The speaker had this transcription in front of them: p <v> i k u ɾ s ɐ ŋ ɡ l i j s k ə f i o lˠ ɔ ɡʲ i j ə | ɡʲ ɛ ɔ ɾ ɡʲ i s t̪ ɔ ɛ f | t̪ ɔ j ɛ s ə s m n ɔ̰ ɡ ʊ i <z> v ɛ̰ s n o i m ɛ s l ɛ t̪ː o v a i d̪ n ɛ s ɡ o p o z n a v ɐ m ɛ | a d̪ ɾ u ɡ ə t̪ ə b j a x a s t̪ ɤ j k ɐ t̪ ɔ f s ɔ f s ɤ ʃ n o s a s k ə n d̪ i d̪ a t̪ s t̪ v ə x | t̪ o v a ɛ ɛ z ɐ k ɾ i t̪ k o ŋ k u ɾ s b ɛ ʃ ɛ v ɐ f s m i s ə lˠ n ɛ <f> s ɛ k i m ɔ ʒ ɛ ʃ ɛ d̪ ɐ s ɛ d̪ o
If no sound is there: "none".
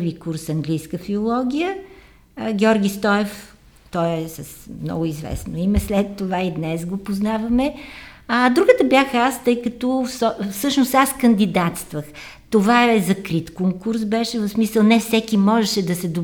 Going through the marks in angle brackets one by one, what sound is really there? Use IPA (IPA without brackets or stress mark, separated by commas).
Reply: v, z, f